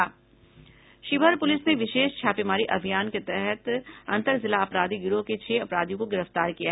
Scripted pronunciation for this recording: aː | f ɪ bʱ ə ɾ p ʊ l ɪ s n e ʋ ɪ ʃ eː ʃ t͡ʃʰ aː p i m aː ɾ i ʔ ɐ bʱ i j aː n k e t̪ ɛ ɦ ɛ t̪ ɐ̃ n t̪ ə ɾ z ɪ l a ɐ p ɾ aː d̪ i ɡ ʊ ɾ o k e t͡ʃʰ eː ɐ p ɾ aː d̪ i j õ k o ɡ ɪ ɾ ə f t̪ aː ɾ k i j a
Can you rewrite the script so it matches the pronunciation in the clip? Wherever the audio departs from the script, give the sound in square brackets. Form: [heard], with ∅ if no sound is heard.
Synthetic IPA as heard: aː | [ʃ] ɪ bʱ ə ɾ p ʊ l ɪ s n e ʋ ɪ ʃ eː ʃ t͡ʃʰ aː p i m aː ɾ i ʔ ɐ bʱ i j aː n k e t̪ ɛ ɦ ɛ t̪ ɐ̃ n t̪ ə ɾ z ɪ l a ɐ p ɾ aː d̪ i ɡ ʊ ɾ o k e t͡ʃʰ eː ɐ p ɾ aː d̪ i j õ k o ɡ ɪ ɾ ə f t̪ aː ɾ k i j a

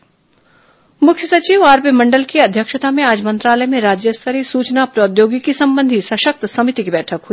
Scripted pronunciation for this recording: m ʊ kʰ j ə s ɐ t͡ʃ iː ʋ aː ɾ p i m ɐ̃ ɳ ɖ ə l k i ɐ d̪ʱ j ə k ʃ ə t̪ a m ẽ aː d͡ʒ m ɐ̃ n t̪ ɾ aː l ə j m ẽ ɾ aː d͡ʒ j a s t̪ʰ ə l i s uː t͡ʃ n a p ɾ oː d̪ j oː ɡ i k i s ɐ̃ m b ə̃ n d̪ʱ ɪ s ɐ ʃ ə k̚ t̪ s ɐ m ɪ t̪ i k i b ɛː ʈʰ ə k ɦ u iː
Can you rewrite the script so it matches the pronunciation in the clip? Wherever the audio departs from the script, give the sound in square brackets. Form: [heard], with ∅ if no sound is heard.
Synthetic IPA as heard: m ʊ kʰ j ə s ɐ t͡ʃ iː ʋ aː ɾ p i m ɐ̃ ɳ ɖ ə l k i ɐ d̪ʱ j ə k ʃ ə t̪ a m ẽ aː d͡ʒ m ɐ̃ n t̪ ɾ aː l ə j m ẽ ɾ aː d͡ʒ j [ə] s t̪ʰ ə [ɾ] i s uː t͡ʃ n a p ɾ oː d̪ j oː ɡ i k i s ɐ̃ m b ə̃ n d̪ʱ [i] s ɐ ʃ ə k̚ t̪ s ɐ m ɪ t̪ i k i b ɛː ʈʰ ə k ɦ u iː

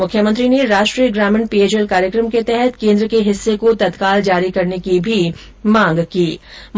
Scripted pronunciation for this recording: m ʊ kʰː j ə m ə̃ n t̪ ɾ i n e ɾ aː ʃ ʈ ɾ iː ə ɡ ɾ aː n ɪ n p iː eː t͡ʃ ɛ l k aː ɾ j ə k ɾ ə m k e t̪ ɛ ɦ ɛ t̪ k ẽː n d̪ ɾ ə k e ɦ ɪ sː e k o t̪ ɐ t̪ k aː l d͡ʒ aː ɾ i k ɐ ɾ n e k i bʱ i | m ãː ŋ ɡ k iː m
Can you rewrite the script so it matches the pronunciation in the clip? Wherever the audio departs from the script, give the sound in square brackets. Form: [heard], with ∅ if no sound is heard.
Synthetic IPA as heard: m ʊ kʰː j ə m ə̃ n t̪ ɾ i n e ɾ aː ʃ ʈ ɾ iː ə ɡ ɾ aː [m] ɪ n p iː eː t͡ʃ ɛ l k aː ɾ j ə k ɾ ə m k e t̪ ɛ ɦ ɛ t̪ k ẽː n d̪ ɾ ə k e ɦ ɪ sː e k o t̪ ɐ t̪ k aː l d͡ʒ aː ɾ i k ɐ ɾ n e k i bʱ i | m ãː ŋ ɡ k iː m

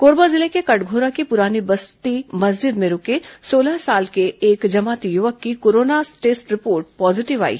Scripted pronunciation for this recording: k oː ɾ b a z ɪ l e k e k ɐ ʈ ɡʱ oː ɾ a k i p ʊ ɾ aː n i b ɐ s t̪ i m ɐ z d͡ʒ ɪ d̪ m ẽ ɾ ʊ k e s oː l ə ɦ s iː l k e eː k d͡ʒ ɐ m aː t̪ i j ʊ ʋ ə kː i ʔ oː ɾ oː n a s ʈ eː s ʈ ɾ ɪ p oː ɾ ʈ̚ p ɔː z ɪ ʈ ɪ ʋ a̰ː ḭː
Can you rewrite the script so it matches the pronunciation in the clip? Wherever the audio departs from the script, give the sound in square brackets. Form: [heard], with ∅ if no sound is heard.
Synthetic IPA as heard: k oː ɾ b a z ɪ l e k e k ɐ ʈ ɡʱ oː ɾ a k i p ʊ ɾ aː n i b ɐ s t̪ i m ɐ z d͡ʒ ɪ d̪ m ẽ ɾ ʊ k e s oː l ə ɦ s [aː] l k e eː k d͡ʒ ɐ m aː t̪ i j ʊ ʋ ə kː i [k] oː ɾ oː n a s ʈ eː s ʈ ɾ ɪ p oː ɾ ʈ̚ p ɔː z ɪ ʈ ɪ ʋ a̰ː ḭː

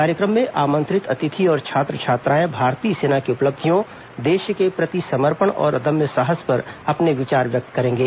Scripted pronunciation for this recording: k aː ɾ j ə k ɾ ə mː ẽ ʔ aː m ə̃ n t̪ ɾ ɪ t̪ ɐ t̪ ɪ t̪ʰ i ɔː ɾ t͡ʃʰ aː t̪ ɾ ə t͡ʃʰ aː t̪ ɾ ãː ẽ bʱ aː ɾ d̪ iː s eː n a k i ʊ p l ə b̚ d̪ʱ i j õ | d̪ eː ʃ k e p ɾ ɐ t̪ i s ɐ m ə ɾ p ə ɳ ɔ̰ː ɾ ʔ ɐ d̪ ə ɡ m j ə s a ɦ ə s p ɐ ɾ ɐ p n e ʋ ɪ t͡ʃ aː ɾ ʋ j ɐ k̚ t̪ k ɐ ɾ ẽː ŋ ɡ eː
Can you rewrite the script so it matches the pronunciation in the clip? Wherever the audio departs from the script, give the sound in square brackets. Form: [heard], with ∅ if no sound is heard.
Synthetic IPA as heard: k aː ɾ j ə k ɾ ə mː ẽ ʔ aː m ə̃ n t̪ ɾ ɪ t̪ ɐ t̪ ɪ t̪ʰ i ɔː ɾ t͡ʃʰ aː t̪ ɾ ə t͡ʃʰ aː t̪ ɾ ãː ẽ bʱ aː ɾ [t̪] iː s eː n a k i ʊ p l ə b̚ d̪ʱ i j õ | d̪ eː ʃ k e p ɾ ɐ t̪ i s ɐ m ə ɾ p ə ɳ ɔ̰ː ɾ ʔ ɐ d̪ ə [∅] m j ə s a ɦ ə s p ɐ ɾ ɐ p n e ʋ ɪ t͡ʃ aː ɾ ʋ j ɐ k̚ t̪ k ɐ ɾ ẽː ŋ ɡ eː

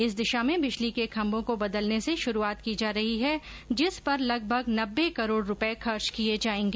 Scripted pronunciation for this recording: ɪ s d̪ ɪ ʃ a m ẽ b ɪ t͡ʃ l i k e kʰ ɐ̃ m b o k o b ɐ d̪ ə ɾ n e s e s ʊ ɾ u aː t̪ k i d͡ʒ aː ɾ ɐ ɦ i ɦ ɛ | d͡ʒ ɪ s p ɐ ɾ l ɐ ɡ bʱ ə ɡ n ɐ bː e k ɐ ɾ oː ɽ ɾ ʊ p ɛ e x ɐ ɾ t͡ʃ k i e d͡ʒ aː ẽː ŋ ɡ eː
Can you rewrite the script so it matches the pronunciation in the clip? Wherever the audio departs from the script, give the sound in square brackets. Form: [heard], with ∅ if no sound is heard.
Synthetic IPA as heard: ɪ s d̪ ɪ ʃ a m ẽ b ɪ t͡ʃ l i k e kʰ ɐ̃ m b [õ] k o b ɐ d̪ ə [l] n e s e [ʃ] ʊ ɾ u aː t̪ k i d͡ʒ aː ɾ ɐ ɦ i ɦ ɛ | d͡ʒ ɪ s p ɐ ɾ l ɐ ɡ bʱ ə ɡ n ɐ bː e k ɐ ɾ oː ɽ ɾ ʊ p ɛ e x ɐ ɾ t͡ʃ k i e d͡ʒ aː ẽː ŋ ɡ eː

